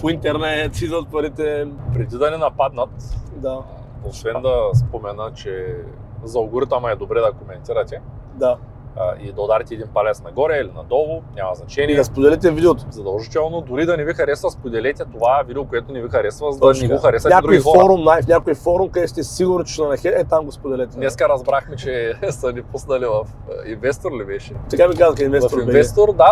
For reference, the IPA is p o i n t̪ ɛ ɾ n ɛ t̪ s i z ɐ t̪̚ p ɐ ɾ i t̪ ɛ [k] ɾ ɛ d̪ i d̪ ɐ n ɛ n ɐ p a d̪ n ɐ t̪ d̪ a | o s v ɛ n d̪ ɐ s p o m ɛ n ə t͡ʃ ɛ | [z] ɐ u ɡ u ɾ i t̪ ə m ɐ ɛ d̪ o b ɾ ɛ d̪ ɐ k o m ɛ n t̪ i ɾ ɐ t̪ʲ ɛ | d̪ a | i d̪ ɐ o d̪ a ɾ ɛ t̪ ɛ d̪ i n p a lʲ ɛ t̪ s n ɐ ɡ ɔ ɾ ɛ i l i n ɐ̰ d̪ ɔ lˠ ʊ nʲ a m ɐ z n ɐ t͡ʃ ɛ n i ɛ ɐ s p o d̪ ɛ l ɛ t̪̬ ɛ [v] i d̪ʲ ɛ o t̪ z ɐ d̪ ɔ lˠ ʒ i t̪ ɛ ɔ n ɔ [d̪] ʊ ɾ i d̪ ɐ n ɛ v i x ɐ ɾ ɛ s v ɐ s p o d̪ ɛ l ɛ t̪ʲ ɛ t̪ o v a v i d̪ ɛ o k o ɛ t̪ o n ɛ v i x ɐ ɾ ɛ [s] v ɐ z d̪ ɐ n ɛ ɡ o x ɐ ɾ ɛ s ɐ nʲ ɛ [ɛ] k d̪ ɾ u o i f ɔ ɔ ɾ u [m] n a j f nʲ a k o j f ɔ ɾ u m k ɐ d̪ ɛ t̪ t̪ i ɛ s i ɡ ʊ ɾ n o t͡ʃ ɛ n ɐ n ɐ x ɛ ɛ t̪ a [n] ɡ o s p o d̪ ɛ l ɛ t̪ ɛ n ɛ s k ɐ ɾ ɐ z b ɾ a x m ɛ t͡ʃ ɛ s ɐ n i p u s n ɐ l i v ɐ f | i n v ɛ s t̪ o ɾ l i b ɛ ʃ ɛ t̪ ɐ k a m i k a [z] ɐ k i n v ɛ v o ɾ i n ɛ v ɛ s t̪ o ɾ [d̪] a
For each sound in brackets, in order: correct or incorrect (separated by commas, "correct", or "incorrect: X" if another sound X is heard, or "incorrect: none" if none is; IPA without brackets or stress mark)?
incorrect: p, correct, correct, correct, correct, incorrect: a, correct, incorrect: m, correct, correct